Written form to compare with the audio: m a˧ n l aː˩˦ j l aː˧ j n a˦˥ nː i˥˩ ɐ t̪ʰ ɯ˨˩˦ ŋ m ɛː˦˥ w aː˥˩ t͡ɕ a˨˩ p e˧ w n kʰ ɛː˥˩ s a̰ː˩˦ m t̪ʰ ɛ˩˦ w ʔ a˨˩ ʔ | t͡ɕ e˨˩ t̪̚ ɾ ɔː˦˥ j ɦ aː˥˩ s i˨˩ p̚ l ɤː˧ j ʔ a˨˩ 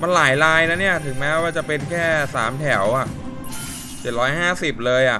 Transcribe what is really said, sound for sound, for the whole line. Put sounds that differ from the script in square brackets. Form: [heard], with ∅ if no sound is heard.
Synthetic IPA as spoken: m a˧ n l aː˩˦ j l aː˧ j n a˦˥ [n] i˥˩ ɐ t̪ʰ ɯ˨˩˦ ŋ m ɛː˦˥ w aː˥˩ t͡ɕ a˨˩ p e˧ [∅] n kʰ ɛː˥˩ s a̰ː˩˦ m t̪ʰ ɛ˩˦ w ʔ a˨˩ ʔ | t͡ɕ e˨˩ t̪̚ ɾ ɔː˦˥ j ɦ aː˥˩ s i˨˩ p̚ l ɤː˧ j ʔ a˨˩